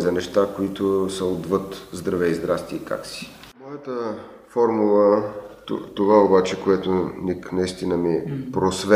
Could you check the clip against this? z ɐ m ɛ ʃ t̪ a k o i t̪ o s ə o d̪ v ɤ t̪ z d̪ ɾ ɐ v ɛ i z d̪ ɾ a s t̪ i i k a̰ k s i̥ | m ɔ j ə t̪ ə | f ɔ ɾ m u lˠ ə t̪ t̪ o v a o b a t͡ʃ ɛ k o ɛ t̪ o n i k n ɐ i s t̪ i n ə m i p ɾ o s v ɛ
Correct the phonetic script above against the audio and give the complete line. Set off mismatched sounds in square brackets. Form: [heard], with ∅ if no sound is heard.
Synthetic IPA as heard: z ɐ [n] ɛ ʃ t̪ a k o i t̪ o s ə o d̪ v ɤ t̪ z d̪ ɾ ɐ v ɛ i z d̪ ɾ a s t̪ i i k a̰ k s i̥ | m ɔ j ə t̪ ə | f ɔ ɾ m u lˠ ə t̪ t̪ o v a o b a t͡ʃ ɛ k o ɛ t̪ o n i k n ɐ i s t̪ i n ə m i p ɾ o s v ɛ